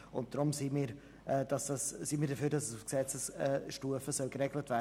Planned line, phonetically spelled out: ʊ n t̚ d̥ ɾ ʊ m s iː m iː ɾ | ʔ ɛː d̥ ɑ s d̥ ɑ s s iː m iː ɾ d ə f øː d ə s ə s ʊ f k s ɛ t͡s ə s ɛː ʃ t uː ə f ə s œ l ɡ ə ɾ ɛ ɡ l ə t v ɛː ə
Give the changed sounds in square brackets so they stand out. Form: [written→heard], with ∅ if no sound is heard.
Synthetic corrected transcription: ʊ n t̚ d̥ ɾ ʊ m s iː m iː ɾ | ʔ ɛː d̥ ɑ s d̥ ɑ s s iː m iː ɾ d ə f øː d [ə→ɑ] s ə s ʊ f k s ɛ t͡s ə s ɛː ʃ t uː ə f ə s œ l ɡ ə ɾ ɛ ɡ l ə t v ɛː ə